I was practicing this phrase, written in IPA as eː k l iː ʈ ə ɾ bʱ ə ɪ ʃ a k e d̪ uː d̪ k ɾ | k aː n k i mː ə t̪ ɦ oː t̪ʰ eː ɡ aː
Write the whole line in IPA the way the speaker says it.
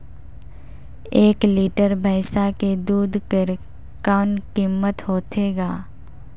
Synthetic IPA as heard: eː k l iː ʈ ə ɾ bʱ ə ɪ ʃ a k e d̪ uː d̪ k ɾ | k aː n k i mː ə t̪ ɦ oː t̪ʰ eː ɡ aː